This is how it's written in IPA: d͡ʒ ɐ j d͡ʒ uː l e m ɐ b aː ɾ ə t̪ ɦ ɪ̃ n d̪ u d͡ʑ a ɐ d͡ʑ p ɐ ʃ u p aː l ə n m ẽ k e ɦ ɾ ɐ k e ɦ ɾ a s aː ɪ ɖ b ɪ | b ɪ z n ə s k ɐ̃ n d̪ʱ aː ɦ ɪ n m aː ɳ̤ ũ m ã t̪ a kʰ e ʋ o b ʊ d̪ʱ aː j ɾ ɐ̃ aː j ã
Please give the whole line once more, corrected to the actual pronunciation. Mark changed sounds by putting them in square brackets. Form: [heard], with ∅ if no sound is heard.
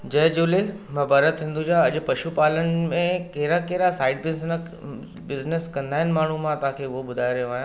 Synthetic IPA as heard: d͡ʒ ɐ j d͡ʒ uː l e m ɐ b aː ɾ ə t̪ ɦ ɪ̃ n d̪ u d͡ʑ a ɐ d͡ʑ p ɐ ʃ u p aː l ə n m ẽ k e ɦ ɾ [a] k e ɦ ɾ a s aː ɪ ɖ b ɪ | b ɪ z n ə s k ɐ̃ n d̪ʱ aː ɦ ɪ n m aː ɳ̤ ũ m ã t̪ a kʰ e ʋ o b ʊ d̪ʱ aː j ɾ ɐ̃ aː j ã